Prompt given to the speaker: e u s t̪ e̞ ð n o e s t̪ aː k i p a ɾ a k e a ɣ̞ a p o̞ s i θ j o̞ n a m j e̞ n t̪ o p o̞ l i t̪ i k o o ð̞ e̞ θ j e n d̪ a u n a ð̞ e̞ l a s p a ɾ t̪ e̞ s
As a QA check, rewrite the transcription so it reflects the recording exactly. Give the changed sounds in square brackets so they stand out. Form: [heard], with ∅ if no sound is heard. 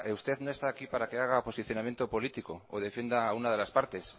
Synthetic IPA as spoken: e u s t̪ e̞ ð n o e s t̪ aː k i p a ɾ a k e a ɣ̞ a p o̞ s i θ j o̞ n a m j e̞ n t̪ o p o̞ l i t̪ i k o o ð̞ e̞ [f] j e n d̪ a u n a ð̞ e̞ l a s p a ɾ t̪ e̞ s